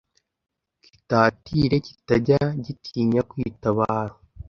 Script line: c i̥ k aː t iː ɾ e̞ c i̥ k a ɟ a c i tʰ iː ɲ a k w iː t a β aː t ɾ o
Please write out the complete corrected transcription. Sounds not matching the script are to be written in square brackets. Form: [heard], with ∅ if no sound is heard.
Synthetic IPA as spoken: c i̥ [t] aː t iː ɾ e̞ c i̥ [t] a ɟ a [ɟ] i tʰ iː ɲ a k w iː t a β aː [∅] ɾ o